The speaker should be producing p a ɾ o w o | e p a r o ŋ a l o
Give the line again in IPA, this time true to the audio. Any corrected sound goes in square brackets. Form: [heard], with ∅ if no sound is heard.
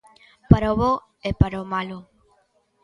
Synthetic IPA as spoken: p a ɾ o [β] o | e p a [ɾ] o [m] a l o